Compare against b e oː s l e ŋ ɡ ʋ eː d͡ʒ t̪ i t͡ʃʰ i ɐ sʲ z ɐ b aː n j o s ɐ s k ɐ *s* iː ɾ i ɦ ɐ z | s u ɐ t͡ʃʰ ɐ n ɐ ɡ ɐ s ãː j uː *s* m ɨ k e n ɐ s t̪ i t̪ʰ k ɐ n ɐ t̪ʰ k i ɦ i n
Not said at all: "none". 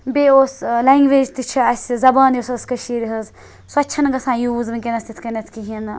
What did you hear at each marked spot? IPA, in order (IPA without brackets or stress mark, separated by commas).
ʃ, z